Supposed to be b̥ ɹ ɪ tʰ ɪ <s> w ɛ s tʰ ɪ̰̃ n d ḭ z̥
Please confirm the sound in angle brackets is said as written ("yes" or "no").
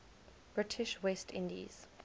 no